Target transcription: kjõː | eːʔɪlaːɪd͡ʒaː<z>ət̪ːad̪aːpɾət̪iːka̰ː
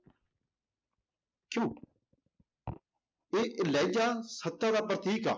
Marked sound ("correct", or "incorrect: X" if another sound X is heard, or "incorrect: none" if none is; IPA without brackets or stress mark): incorrect: s